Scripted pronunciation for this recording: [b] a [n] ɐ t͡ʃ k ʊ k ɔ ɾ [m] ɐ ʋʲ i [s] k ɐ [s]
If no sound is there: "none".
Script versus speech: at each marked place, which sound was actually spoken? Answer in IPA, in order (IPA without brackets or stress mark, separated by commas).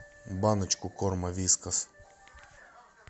b, n, m, s, s